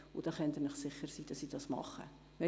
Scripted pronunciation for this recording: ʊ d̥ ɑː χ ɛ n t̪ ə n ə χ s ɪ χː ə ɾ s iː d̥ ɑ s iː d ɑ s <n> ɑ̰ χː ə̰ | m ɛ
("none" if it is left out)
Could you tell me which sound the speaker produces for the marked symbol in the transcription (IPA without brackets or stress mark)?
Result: m